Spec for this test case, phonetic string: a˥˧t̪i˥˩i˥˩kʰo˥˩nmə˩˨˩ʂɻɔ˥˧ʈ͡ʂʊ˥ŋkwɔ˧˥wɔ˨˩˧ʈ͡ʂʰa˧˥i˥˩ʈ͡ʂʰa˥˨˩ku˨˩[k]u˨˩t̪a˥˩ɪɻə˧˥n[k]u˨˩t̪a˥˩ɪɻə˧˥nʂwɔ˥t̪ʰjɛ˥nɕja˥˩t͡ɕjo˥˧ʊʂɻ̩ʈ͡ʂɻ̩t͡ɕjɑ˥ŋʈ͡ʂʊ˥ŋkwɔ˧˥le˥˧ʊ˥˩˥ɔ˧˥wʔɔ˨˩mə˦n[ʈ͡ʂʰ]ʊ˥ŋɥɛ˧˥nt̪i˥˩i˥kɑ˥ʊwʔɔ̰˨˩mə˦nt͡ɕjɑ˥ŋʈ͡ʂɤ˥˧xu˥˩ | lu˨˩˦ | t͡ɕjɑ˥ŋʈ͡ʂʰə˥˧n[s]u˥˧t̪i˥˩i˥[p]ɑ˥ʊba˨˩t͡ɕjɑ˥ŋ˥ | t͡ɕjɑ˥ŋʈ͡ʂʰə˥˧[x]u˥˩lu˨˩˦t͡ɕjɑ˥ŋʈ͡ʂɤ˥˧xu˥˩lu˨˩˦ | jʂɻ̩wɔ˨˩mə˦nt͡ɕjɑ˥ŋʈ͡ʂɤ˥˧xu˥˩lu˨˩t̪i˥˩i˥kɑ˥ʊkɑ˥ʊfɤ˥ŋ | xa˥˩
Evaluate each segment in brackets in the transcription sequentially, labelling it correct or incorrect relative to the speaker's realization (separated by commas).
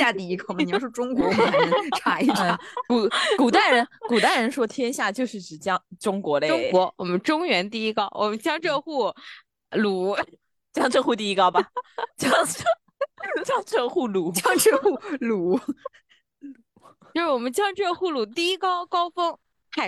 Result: correct, correct, incorrect, incorrect, incorrect, correct